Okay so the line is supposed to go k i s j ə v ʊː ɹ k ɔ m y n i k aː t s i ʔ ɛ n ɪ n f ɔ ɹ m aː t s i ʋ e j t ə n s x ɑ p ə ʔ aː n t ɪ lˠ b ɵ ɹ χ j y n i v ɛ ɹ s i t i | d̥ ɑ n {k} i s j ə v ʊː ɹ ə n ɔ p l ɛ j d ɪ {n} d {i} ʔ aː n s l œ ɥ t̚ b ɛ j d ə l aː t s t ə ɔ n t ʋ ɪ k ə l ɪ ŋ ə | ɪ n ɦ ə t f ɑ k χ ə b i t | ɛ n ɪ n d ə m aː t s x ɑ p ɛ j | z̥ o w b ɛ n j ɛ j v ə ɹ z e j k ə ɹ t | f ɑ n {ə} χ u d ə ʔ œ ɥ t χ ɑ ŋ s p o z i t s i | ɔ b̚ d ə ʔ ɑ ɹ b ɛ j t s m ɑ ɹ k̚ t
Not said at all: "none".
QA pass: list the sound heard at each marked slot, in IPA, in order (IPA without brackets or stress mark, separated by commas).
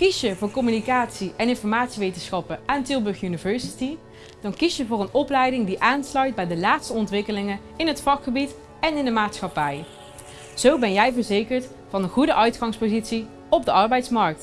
k, ŋ, i, ə